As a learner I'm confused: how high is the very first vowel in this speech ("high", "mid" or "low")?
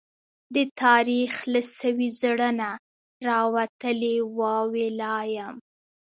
mid